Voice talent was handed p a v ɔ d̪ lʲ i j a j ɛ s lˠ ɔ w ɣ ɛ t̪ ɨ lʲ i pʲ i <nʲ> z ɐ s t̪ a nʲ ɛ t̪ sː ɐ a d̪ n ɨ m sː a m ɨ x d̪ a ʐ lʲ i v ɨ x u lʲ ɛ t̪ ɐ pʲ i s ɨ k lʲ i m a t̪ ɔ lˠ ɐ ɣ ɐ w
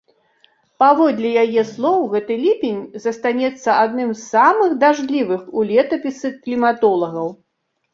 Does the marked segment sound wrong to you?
no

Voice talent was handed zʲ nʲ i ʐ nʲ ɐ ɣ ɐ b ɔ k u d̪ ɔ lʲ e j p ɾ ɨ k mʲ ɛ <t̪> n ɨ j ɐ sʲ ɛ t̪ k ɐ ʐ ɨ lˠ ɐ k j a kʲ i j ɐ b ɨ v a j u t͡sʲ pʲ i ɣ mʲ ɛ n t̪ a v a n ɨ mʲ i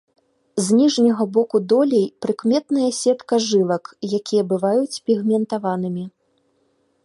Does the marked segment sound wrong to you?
no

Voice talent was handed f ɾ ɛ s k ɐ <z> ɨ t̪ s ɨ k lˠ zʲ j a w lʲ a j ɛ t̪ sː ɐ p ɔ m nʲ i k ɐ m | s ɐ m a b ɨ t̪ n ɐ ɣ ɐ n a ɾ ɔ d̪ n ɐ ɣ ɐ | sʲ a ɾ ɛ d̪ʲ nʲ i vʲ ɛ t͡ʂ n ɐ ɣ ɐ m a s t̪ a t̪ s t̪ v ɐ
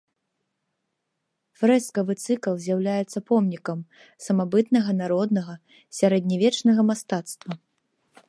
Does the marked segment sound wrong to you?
yes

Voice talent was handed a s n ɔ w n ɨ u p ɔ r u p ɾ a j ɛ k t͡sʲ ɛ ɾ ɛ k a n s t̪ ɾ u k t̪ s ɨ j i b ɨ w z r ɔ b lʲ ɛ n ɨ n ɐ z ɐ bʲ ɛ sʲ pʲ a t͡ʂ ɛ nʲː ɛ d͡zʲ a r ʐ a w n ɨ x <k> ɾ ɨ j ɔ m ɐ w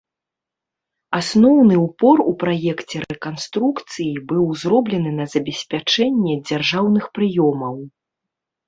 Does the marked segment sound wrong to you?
yes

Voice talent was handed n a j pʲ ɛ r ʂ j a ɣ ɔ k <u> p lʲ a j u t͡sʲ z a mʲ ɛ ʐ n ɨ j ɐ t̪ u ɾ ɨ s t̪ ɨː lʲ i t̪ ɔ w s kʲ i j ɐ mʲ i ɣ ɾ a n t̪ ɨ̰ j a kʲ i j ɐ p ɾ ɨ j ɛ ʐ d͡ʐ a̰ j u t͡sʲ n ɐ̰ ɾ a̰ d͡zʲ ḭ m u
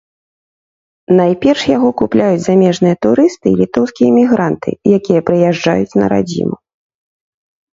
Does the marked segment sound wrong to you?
no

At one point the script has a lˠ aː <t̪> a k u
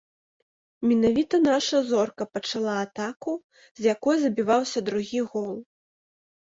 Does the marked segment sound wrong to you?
no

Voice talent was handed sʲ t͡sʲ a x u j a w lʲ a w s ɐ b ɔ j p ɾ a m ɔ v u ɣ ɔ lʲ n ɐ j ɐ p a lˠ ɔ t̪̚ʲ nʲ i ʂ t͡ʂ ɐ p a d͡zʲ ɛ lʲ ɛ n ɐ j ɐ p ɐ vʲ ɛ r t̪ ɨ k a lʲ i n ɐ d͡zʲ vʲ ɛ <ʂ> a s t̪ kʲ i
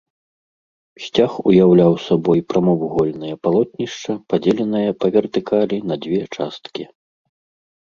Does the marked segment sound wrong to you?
yes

